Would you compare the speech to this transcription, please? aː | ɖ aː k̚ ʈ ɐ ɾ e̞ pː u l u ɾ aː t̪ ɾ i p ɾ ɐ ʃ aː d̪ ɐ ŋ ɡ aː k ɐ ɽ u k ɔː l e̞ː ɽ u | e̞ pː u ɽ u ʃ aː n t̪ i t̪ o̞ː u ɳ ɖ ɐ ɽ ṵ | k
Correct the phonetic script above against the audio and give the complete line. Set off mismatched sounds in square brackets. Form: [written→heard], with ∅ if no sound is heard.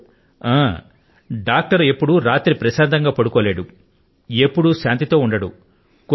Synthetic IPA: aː | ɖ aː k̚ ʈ ɐ ɾ e̞ pː u [l→ɽ] u ɾ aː t̪ ɾ i p ɾ ɐ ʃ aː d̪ ɐ ŋ ɡ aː [k→p] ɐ ɽ u k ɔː l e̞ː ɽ u | e̞ pː u ɽ u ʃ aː n t̪ i t̪ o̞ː u ɳ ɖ ɐ ɽ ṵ | k